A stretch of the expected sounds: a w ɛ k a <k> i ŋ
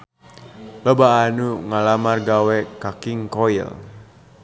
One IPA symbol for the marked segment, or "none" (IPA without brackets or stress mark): k